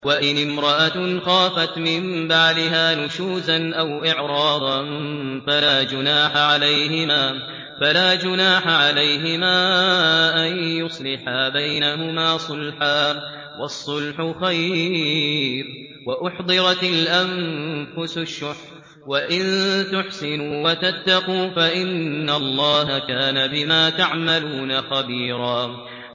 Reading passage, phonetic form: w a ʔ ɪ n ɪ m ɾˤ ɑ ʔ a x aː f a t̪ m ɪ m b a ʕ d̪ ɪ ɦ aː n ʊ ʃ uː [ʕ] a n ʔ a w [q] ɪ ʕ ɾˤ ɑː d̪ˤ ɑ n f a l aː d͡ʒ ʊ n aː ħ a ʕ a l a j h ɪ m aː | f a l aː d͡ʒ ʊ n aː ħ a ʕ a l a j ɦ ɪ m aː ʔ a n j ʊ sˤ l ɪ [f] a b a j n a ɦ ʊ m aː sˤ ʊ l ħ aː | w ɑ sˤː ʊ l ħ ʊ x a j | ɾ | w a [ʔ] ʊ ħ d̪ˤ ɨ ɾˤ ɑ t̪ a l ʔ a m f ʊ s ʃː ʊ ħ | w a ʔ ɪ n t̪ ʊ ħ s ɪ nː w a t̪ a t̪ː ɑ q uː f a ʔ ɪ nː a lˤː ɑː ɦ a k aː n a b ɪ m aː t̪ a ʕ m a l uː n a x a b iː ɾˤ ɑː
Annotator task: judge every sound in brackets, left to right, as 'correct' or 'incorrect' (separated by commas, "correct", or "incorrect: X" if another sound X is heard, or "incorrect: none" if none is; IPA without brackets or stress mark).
incorrect: z, incorrect: ʔ, incorrect: ħ, correct